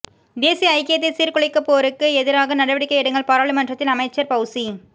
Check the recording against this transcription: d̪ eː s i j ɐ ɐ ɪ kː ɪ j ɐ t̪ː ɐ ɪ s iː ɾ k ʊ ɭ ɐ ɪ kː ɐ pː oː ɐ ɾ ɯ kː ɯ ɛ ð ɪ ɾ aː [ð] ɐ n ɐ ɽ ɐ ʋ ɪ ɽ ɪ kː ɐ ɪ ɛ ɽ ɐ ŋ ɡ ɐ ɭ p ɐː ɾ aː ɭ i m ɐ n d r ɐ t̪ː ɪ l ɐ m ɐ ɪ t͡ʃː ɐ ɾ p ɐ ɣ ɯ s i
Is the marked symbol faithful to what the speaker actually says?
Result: no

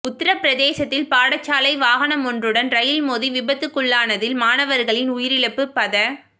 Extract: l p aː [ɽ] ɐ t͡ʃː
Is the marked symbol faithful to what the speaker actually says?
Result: yes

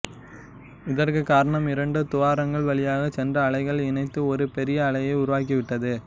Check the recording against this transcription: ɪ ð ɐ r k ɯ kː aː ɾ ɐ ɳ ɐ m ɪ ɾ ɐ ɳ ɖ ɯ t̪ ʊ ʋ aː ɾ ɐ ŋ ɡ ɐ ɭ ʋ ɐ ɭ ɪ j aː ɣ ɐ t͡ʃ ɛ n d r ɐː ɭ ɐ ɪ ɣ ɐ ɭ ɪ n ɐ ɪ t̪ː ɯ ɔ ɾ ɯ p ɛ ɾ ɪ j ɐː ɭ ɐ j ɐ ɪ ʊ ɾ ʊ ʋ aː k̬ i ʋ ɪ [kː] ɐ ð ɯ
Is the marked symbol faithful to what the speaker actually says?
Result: no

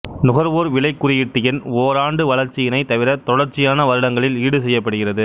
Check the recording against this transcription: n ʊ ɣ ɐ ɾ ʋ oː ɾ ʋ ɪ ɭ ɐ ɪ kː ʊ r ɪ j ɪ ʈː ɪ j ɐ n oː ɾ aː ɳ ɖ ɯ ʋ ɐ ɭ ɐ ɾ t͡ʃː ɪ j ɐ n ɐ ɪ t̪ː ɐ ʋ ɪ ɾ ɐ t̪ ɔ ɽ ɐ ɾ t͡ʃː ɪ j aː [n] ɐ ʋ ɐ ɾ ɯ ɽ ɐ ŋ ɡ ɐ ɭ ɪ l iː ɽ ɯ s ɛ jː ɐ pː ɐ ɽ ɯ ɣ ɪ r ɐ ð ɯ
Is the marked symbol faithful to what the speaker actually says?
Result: yes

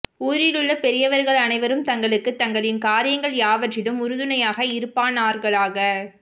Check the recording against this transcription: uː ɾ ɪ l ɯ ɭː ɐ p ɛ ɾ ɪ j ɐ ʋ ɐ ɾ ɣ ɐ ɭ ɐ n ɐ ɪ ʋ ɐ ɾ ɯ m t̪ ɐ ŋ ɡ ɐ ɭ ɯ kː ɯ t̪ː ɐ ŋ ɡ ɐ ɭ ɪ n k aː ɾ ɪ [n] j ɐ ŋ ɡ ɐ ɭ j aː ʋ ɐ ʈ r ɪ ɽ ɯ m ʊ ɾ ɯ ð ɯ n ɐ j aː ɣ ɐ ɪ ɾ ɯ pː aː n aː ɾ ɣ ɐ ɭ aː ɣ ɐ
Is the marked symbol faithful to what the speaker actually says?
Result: no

